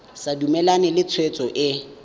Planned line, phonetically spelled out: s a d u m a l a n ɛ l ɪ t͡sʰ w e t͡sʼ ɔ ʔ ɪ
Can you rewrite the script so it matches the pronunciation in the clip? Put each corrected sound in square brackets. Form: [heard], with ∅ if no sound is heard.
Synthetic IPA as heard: s a d u m [ɛ] l a n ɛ l ɪ t͡sʰ w e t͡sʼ ɔ ʔ ɪ